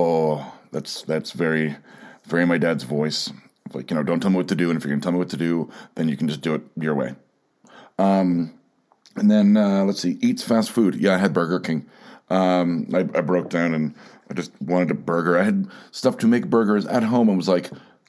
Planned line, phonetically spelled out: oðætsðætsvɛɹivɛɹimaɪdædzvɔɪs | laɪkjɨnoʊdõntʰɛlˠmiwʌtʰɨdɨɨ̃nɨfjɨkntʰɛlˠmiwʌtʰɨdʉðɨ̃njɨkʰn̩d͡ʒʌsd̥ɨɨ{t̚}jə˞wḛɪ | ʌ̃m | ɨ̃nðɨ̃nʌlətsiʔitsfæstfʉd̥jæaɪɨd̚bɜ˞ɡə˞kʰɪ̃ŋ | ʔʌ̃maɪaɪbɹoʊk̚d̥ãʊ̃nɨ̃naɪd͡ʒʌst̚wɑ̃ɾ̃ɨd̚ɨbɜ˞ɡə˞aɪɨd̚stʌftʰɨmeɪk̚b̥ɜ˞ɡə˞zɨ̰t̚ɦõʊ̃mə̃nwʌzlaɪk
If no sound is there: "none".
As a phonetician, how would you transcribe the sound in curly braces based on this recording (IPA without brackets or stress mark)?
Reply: t̚